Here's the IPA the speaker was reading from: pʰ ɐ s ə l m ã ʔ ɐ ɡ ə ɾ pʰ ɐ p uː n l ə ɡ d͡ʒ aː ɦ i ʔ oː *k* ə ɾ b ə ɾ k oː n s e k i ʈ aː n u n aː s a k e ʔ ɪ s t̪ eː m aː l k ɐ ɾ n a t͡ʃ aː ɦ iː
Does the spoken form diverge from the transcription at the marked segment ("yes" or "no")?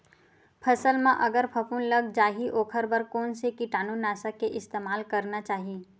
yes